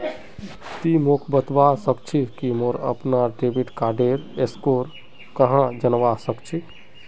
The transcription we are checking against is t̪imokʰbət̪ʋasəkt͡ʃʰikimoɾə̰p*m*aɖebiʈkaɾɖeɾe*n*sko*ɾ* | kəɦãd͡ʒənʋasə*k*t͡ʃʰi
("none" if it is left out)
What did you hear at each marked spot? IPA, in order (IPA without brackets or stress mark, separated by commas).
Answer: n, none, ɾ, k